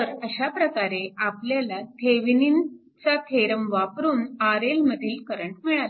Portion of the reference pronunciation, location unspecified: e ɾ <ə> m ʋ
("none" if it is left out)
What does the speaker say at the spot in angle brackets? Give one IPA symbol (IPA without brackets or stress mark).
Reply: ə